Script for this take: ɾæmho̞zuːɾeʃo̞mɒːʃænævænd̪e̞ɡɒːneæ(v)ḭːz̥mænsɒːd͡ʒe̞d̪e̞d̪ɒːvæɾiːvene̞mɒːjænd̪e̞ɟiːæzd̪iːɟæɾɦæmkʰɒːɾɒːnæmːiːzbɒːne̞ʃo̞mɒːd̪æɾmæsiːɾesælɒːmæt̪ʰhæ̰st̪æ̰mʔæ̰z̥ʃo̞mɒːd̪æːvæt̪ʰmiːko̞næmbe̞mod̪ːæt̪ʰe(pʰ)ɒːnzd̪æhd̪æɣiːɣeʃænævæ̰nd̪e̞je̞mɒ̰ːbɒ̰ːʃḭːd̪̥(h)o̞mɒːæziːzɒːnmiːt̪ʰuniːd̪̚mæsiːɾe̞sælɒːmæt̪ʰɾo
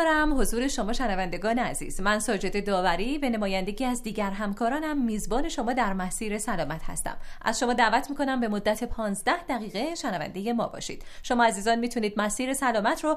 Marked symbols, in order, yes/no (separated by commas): no, yes, no